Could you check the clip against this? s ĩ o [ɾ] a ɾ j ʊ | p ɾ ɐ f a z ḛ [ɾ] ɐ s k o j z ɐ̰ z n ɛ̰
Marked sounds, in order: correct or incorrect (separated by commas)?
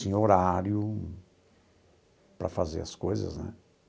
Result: correct, correct